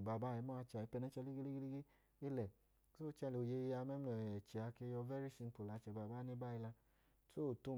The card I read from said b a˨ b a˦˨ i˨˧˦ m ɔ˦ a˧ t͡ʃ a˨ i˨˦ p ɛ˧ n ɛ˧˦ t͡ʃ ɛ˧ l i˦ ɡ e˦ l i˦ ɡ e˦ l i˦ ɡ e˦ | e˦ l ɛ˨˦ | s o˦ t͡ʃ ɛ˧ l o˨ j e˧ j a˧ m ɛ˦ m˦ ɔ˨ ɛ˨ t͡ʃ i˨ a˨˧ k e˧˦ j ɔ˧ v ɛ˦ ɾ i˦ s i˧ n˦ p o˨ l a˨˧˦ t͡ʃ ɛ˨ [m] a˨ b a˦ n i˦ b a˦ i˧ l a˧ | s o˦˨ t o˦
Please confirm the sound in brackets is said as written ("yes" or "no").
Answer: no